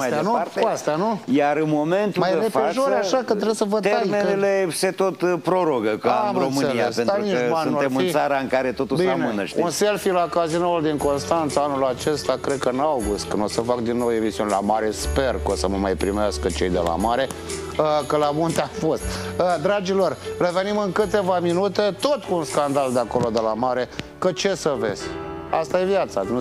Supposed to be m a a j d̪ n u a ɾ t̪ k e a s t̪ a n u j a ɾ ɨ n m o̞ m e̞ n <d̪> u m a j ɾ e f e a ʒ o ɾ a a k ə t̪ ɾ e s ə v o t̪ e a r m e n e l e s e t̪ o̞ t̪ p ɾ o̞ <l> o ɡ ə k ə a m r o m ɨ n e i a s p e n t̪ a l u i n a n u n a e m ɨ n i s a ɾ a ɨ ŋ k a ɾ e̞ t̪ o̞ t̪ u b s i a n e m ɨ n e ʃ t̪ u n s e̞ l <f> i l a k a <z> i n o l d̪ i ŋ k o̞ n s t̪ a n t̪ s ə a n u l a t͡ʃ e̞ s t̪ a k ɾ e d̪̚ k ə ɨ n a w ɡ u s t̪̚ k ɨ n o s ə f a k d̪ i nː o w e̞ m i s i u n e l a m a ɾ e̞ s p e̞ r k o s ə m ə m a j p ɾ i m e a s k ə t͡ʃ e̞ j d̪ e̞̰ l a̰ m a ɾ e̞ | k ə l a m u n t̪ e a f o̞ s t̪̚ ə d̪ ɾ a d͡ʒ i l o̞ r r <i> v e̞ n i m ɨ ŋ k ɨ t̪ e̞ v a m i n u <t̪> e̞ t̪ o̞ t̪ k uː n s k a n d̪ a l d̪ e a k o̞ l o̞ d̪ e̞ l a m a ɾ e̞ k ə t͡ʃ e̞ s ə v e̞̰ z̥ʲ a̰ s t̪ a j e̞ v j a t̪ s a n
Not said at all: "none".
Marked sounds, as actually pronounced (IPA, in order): t̪, ɾ, f, z, e, t̪

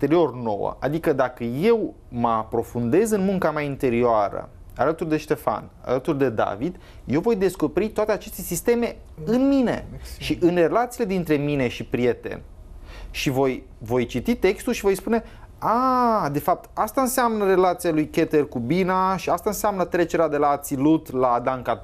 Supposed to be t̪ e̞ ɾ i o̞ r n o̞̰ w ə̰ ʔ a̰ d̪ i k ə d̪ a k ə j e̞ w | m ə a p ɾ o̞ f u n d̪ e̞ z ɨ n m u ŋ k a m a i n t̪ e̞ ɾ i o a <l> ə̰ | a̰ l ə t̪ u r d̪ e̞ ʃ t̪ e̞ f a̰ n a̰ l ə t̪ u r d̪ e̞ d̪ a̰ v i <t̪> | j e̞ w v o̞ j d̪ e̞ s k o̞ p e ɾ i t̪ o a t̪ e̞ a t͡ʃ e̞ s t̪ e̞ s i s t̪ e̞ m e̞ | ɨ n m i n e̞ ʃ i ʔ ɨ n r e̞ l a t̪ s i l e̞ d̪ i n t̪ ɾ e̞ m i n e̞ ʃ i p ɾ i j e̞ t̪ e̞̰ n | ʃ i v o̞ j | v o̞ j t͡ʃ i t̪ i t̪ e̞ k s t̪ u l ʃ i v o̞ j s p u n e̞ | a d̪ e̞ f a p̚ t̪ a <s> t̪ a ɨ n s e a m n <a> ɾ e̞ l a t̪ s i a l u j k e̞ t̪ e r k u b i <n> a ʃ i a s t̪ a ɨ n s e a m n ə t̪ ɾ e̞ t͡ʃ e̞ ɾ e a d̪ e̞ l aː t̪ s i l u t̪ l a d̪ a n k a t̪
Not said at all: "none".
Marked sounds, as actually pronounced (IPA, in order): ɾ, d̪, s, ə, n

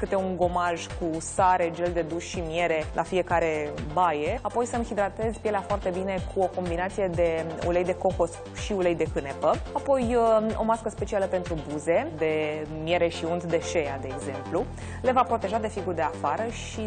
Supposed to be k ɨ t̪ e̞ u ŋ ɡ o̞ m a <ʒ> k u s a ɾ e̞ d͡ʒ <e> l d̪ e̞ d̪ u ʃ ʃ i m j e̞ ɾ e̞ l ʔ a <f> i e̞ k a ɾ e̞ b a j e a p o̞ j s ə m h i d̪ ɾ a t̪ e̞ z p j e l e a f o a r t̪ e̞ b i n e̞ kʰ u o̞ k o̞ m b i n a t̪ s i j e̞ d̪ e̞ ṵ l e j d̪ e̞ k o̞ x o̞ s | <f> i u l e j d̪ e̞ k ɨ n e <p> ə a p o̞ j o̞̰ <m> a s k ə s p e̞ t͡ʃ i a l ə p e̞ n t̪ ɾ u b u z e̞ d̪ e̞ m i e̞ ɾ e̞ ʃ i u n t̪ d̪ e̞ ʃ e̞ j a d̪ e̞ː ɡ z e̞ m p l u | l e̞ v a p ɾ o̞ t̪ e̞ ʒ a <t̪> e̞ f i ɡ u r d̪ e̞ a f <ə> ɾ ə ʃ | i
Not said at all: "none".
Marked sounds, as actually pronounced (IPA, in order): ʒ, e, f, ʃ, p, m, d̪, a

